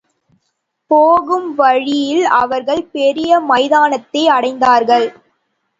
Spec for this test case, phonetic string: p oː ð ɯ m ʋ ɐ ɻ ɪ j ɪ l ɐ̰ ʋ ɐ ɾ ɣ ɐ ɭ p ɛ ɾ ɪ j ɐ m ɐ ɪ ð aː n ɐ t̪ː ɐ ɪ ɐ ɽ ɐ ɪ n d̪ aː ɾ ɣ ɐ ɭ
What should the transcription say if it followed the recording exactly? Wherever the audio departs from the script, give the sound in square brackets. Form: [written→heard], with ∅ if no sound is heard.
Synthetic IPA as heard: p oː [ð→ɣ] ɯ m ʋ ɐ ɻ ɪ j ɪ l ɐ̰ ʋ ɐ ɾ ɣ ɐ ɭ p ɛ ɾ ɪ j ɐ m ɐ ɪ ð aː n ɐ t̪ː ɐ ɪ ɐ ɽ ɐ ɪ n d̪ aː ɾ ɣ ɐ ɭ